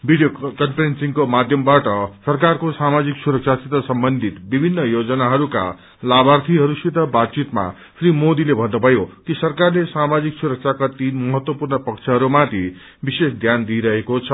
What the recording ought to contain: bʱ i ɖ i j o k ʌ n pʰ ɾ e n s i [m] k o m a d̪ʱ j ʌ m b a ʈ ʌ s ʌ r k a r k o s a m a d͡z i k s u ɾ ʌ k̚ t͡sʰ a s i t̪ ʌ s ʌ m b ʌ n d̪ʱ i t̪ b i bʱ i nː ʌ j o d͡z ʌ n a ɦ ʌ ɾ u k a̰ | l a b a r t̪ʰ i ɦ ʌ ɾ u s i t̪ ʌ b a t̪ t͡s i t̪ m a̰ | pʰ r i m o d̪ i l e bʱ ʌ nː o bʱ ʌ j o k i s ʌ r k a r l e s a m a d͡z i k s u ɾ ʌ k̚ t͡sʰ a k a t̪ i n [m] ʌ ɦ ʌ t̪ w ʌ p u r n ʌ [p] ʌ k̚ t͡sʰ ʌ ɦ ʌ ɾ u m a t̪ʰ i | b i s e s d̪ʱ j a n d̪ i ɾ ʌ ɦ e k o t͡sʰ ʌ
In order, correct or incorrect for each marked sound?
incorrect, correct, correct

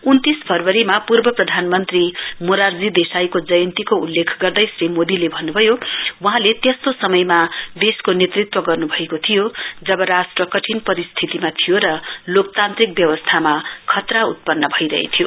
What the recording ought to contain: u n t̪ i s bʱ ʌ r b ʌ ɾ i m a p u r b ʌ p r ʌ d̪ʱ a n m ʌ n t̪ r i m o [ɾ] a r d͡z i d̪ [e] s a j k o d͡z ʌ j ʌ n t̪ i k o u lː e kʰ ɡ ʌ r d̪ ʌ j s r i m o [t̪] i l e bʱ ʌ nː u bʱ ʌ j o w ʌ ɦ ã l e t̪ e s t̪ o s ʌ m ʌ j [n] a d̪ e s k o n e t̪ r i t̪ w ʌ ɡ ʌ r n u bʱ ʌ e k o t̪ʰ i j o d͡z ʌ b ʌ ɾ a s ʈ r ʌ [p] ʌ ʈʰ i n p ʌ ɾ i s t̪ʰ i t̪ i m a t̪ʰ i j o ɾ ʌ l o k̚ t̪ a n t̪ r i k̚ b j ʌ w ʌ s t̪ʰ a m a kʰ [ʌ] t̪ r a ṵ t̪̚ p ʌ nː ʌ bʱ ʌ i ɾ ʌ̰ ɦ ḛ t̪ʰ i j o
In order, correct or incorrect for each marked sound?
correct, correct, incorrect, incorrect, incorrect, correct

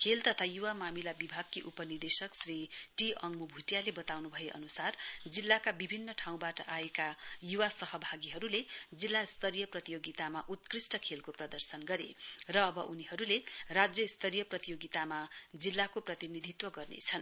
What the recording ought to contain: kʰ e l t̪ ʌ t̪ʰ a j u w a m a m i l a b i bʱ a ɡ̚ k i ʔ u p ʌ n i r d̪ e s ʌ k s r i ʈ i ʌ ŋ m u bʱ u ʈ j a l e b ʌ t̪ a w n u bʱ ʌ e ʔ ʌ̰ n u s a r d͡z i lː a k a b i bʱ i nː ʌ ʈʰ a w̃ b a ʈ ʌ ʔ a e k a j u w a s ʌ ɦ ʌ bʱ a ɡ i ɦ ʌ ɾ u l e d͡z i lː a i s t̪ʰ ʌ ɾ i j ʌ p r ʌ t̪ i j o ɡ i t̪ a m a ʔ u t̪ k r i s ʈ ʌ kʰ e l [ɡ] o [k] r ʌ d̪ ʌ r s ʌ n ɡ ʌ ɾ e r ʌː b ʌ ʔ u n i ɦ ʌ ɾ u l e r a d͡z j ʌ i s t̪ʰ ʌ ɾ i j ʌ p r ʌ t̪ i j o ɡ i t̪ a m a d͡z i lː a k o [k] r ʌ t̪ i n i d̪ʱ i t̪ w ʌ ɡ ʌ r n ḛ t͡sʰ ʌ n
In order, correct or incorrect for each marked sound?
incorrect, incorrect, incorrect

